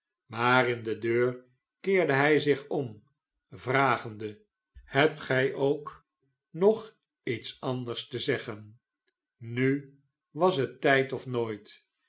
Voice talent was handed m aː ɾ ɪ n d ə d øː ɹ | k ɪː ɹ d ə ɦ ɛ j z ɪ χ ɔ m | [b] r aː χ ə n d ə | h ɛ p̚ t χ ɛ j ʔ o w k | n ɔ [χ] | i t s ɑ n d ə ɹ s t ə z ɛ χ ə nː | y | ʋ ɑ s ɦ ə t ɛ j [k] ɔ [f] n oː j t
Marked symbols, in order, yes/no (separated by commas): no, yes, no, yes